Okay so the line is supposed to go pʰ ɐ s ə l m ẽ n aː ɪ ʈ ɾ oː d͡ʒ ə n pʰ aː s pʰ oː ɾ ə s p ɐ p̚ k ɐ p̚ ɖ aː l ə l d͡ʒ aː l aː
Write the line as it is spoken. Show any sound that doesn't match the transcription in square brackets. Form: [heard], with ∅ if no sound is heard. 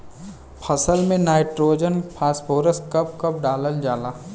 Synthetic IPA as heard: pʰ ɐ s ə l m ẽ n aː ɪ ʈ ɾ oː d͡ʒ ə n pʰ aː s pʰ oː ɾ ə s [k] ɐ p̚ k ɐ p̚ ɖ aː l ə l d͡ʒ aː l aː